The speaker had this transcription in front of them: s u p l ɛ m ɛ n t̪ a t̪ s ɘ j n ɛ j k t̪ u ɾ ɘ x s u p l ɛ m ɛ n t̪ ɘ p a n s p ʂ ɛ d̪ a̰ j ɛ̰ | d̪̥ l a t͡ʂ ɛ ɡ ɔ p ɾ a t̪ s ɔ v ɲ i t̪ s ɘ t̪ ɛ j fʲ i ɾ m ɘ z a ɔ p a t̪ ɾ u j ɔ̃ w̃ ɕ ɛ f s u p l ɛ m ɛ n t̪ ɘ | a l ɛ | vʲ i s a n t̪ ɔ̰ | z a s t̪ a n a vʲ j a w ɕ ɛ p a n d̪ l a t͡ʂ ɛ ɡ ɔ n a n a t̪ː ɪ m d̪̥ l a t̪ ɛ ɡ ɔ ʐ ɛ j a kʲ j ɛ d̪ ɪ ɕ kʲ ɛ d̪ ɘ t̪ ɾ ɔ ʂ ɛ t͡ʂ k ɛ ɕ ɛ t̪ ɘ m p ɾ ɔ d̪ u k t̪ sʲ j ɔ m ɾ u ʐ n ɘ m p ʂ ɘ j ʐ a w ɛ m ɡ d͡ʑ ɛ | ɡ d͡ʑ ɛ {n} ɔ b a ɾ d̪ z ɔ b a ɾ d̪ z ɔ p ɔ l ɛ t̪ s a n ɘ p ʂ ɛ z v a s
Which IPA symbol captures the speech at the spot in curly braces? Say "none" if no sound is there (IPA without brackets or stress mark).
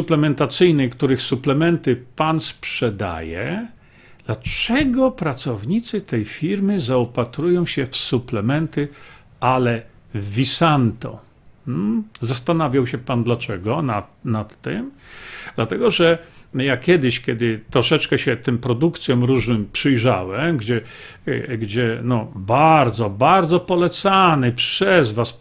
n